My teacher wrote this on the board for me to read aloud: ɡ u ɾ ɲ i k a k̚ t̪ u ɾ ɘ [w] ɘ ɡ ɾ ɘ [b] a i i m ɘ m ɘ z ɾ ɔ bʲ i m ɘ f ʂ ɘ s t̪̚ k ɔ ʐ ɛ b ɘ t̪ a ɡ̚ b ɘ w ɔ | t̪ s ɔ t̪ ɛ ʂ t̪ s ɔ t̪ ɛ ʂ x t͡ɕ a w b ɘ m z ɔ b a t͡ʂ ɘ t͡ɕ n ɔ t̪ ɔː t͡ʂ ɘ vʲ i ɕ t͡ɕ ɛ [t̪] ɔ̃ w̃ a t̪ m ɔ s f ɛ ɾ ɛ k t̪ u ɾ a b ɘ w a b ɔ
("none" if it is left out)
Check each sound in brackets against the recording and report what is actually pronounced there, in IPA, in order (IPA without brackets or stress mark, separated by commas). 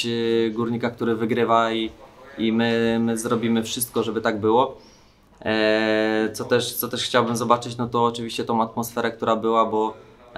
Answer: v, v, t̪